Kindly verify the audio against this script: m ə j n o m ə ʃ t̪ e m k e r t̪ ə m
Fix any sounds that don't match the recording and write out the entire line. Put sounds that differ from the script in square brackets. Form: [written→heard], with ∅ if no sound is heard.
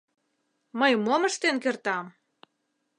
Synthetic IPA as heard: m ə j [n→m] o m ə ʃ t̪ e [m→n] k e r t̪ [ə→ɑ] m